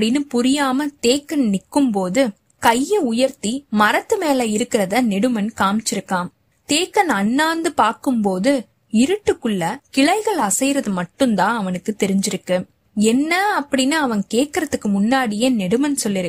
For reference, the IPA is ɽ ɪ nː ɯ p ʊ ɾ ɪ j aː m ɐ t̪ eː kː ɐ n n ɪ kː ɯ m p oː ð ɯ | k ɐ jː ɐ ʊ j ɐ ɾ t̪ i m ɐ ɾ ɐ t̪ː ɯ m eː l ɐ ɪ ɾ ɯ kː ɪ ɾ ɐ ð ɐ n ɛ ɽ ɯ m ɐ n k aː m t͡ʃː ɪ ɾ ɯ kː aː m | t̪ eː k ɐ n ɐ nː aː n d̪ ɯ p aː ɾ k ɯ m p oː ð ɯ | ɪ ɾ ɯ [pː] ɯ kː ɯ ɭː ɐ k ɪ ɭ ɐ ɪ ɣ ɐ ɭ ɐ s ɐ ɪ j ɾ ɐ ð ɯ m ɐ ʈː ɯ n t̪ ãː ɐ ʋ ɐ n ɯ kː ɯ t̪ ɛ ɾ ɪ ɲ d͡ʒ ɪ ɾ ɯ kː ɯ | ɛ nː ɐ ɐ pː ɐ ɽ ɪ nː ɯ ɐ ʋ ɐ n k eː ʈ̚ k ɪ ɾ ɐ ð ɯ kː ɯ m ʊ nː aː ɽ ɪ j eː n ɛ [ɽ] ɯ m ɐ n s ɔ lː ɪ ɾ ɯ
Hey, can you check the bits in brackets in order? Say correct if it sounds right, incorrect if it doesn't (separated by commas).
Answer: incorrect, correct